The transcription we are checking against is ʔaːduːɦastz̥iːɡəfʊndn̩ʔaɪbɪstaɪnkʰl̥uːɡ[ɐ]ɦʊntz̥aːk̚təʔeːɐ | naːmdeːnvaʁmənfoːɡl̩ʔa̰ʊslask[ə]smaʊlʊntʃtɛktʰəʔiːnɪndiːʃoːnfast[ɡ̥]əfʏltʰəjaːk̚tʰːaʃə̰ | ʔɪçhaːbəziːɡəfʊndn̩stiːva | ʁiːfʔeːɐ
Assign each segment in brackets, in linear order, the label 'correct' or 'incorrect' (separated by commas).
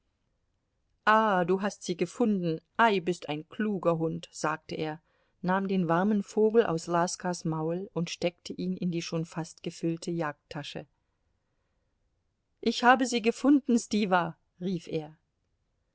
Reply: correct, incorrect, correct